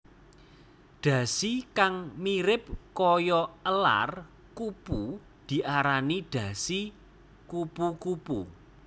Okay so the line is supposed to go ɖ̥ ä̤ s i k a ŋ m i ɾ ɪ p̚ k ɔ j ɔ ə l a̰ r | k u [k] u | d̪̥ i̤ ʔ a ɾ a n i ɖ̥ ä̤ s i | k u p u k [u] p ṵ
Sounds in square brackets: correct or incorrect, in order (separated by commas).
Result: incorrect, correct